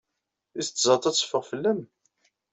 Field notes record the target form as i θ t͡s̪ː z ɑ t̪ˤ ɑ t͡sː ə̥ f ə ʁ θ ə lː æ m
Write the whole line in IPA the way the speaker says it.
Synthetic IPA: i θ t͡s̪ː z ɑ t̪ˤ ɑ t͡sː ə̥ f ə ʁ f ə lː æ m